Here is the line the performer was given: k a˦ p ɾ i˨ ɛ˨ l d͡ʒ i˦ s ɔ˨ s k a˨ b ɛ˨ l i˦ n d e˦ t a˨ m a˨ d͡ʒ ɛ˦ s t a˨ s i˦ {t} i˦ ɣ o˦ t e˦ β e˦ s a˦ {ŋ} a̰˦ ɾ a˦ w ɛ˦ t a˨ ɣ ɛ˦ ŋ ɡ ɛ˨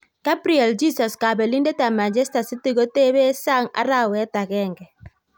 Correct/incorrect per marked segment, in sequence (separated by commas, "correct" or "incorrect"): correct, correct